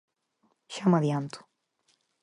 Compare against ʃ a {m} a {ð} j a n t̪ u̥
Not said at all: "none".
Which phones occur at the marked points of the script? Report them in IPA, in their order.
m, ð

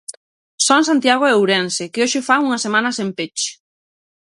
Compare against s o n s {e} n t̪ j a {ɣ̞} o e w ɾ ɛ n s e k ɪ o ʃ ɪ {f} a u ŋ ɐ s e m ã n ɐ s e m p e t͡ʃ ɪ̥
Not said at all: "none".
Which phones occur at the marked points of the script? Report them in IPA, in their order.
a, ɣ̞, f

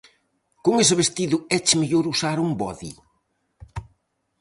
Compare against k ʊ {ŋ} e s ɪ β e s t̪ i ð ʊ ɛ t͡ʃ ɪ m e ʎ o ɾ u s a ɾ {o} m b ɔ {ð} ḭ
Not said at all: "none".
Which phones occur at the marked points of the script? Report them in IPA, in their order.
ŋ, u, ð

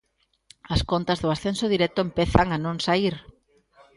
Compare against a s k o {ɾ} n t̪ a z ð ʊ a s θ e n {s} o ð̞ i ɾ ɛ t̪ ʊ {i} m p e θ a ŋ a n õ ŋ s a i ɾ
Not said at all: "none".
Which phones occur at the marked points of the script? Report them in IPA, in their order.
none, s, e

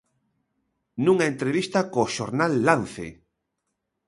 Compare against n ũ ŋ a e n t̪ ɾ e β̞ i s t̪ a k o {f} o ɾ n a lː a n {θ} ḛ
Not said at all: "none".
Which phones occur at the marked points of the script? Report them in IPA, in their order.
ʃ, θ

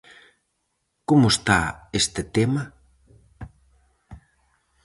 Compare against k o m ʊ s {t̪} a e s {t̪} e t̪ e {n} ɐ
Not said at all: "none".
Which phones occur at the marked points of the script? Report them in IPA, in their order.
t̪, t̪, m

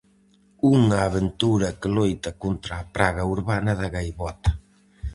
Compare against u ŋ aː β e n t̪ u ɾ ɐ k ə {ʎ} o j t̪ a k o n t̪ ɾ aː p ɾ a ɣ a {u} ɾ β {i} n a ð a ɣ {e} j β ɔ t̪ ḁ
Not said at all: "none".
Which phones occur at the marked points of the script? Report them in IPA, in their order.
l, u, a, a

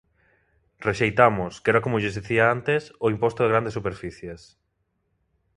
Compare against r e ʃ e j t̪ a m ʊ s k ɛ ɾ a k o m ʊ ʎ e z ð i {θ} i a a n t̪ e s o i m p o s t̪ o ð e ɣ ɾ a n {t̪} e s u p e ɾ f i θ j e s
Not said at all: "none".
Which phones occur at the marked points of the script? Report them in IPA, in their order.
θ, d̪

